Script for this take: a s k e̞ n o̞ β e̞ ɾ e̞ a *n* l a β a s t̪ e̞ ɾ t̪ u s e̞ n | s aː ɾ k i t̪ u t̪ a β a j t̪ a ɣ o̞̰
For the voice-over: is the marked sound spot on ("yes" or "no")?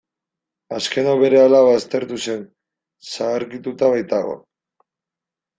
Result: no